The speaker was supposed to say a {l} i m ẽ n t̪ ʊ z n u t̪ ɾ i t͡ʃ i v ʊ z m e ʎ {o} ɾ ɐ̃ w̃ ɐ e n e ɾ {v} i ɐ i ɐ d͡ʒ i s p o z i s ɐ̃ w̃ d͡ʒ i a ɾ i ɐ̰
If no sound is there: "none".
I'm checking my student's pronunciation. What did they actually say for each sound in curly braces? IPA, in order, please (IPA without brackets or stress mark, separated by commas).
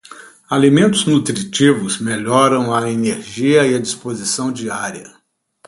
l, ɔ, ʒ